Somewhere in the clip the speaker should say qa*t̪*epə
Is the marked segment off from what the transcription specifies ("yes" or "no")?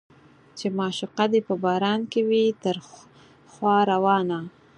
yes